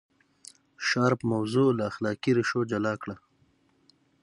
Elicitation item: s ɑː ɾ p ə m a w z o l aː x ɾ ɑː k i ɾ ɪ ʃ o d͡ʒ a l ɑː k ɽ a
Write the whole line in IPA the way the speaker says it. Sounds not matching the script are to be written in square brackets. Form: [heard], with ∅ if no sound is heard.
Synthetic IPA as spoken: [ʃ] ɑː ɾ p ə m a w z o l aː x [l] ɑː k i ɾ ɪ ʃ o d͡ʒ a l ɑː k ɽ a